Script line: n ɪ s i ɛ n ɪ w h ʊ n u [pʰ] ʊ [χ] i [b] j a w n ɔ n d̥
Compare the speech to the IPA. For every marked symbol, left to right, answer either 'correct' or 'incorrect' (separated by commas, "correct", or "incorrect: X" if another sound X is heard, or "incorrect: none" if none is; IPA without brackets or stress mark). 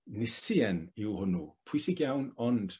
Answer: correct, incorrect: s, incorrect: ɡ